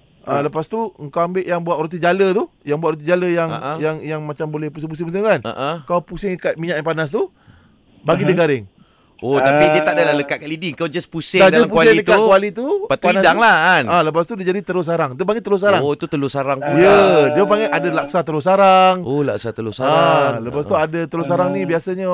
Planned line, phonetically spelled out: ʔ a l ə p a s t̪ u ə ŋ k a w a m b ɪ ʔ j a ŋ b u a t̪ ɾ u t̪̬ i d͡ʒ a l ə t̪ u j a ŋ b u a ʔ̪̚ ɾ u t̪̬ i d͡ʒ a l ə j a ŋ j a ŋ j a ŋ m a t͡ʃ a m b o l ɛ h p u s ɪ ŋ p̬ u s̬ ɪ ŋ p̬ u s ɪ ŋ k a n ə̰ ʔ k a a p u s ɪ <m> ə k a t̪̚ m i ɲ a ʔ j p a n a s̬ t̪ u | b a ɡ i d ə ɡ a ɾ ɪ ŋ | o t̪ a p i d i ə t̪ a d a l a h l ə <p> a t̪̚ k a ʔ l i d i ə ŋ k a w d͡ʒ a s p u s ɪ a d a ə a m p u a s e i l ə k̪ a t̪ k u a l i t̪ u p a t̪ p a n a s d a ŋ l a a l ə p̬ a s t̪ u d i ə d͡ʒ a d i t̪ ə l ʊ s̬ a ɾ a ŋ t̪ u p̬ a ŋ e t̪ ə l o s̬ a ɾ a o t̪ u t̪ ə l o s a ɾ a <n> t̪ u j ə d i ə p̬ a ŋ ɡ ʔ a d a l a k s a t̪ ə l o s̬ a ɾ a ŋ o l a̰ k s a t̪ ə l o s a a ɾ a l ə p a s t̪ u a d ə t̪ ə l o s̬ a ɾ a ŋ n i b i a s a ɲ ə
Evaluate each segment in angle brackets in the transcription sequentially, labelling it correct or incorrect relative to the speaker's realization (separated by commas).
incorrect, incorrect, incorrect